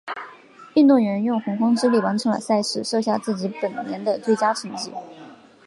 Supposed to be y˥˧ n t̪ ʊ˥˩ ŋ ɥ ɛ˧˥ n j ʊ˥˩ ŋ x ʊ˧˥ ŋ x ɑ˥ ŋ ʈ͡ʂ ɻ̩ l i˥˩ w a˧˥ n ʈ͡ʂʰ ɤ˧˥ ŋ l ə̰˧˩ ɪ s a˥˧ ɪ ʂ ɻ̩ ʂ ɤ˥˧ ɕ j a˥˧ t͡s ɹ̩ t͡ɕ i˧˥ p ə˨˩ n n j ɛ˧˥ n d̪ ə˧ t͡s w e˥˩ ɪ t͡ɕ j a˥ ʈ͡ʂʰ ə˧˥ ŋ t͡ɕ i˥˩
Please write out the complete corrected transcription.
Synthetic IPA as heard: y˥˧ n t̪ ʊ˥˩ ŋ ɥ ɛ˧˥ n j ʊ˥˩ ŋ x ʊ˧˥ ŋ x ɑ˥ ŋ ʈ͡ʂ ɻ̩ l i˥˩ w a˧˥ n ʈ͡ʂʰ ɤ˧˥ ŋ l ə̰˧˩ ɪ s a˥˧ ɪ ʂ ɻ̩ ʂ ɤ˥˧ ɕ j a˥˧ t͡s ɹ̩ t͡ɕ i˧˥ p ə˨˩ n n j ɛ˧˥ n d̪ ə˧ t͡s w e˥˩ ɪ t͡ɕ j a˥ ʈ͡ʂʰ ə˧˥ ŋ t͡ɕ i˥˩